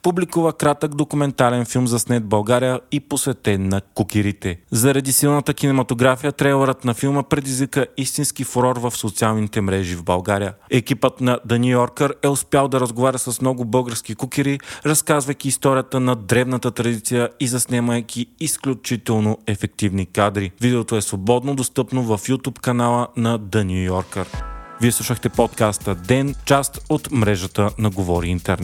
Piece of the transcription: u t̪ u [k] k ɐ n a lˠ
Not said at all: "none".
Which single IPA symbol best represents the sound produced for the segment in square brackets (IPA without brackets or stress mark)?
p